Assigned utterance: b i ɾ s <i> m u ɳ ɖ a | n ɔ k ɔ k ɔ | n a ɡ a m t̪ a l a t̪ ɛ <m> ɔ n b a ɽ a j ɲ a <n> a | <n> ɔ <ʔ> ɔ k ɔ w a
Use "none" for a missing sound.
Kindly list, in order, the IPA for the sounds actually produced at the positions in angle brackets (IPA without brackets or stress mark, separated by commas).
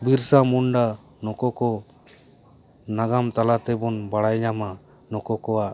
a, b, m, n, k